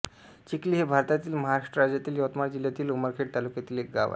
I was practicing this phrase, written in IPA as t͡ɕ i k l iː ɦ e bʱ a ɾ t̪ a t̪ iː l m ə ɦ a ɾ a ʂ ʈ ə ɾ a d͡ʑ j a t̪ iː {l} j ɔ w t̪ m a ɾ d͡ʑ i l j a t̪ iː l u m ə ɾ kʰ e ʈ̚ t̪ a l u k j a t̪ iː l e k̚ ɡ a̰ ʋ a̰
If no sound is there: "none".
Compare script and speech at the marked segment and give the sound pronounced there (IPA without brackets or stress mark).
l